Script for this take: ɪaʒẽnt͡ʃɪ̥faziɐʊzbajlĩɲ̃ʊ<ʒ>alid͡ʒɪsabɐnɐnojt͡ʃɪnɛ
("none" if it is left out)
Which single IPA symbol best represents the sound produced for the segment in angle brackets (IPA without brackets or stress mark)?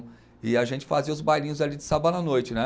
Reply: z